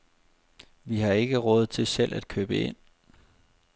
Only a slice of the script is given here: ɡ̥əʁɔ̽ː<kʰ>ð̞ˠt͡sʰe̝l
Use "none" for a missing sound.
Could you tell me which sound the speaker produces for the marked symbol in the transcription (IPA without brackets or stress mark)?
none